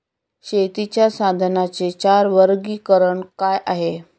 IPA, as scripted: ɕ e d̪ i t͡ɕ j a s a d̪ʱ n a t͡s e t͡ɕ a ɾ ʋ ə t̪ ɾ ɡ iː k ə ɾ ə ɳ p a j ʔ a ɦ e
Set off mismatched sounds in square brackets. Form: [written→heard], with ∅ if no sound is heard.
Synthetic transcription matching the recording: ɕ e [d̪→t̪] i t͡ɕ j a s a d̪ʱ n a t͡s e t͡ɕ a ɾ ʋ ə [t̪→∅] ɾ ɡ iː k ə ɾ ə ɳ [p→k] a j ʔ a ɦ e

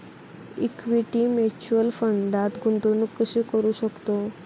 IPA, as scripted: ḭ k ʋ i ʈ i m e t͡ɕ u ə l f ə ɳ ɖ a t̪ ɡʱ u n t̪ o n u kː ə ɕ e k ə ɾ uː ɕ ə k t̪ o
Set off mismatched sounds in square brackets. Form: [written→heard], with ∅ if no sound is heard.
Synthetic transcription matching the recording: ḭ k ʋ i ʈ i m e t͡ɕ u ə l f ə ɳ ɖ a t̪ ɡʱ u n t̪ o n u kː ə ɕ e k ə ɾ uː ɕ ə k t̪ o

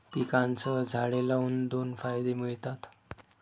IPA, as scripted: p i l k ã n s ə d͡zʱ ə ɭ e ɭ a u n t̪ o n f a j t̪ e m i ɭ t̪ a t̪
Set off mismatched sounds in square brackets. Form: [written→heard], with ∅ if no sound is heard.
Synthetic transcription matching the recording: p i [l→∅] k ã n [s→t͡s] ə d͡zʱ [ə→a] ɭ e [ɭ→l] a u n [t̪→d̪] o n f a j [t̪→d̪] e m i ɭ t̪ a t̪

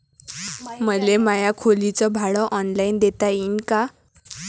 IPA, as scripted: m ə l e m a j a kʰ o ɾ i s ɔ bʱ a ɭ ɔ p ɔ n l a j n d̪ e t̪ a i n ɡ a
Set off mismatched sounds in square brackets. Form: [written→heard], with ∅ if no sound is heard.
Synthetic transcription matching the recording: m ə l e m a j a kʰ o [ɾ→l] i [s→t͡s] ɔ bʱ a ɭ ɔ [p→ʔ] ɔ n l a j n d̪ e t̪ a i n [ɡ→k] a

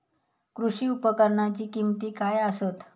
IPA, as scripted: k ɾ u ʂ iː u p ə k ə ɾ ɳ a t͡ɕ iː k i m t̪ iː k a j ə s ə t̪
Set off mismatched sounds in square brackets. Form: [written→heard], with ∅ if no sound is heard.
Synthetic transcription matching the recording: k ɾ u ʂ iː u p ə k ə ɾ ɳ a t͡ɕ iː k i m t̪ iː k a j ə s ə t̪

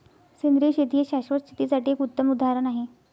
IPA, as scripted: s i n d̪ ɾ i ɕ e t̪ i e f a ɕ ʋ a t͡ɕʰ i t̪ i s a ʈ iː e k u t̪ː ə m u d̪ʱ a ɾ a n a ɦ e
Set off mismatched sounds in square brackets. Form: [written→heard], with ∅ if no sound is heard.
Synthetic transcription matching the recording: s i n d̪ ɾ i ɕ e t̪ i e [f→ɕ] a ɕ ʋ [a→ə] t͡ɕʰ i t̪ i s a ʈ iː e k u t̪ː ə m u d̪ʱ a ɾ [a→ə] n a ɦ e

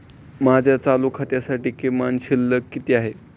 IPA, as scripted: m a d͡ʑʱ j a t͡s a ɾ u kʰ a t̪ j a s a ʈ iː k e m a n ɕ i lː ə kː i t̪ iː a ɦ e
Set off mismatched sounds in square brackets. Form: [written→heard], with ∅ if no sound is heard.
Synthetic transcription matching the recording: m a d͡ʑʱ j a t͡s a [ɾ→l] u kʰ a t̪ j a s a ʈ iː k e m a n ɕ i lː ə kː i t̪ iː a ɦ e

